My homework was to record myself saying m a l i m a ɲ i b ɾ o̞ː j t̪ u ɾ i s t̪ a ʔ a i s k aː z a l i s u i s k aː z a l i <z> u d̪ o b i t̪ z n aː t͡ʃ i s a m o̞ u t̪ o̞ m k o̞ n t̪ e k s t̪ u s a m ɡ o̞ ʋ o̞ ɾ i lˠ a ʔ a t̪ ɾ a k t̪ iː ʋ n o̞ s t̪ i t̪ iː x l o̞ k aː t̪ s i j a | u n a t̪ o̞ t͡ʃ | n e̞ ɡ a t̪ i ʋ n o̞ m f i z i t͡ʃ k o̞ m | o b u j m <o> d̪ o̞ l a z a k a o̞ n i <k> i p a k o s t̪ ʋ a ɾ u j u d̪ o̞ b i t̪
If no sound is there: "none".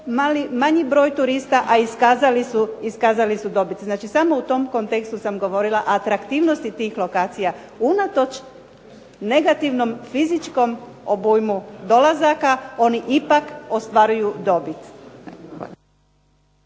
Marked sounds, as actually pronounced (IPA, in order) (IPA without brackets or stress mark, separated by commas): s, u, ʔ